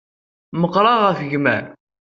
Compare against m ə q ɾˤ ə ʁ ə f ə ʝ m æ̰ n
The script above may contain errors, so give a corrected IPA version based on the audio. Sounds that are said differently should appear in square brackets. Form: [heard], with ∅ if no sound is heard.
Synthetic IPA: m ə q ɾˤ [ɑ] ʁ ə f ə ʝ m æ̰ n